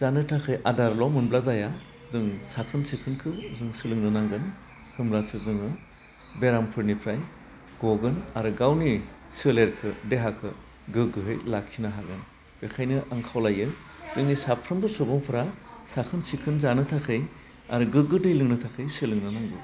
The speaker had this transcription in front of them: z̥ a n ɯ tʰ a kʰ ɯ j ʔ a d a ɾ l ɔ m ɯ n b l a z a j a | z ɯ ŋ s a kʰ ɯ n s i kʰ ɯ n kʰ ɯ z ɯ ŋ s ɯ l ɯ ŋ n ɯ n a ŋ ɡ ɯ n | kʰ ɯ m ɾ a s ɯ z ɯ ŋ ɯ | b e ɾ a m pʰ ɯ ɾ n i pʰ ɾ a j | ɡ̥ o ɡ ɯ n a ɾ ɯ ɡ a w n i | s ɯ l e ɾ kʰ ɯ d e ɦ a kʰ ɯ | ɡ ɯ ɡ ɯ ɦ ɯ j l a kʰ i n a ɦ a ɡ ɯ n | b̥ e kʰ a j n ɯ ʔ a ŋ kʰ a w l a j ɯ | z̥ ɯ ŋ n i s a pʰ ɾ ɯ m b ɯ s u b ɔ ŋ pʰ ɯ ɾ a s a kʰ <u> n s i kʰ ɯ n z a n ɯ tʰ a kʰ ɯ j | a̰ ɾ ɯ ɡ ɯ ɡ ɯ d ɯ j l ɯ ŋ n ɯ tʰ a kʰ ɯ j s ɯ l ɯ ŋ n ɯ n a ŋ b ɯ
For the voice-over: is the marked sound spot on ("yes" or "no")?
no